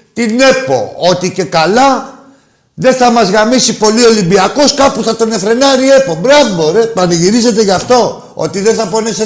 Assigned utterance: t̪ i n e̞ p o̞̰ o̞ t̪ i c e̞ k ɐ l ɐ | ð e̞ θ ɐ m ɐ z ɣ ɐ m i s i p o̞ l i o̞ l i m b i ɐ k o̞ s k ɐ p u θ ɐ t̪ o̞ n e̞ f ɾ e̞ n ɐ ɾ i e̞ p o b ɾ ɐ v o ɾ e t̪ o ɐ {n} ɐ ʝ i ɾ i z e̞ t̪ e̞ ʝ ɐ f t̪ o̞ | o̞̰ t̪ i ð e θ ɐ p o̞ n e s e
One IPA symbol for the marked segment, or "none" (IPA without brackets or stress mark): n